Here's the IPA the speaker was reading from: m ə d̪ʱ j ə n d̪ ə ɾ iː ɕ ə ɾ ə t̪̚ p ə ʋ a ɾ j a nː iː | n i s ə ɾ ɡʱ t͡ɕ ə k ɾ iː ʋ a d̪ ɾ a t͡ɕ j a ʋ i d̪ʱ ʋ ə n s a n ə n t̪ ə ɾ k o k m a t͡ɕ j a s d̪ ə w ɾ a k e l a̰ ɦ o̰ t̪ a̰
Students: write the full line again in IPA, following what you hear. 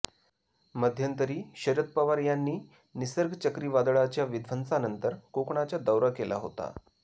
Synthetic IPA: m ə d̪ʱ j ə n t̪ ə ɾ iː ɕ ə ɾ ə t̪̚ p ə ʋ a ɾ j a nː iː | n i s ə ɾ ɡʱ t͡ɕ ə k ɾ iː ʋ a d̪ ɭ a t͡ɕ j a ʋ i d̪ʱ ʋ ə n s a n ə n t̪ ə ɾ k o k ɳ a t͡ɕ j a d̪ ə w ɾ a k e l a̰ ɦ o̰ t̪ a̰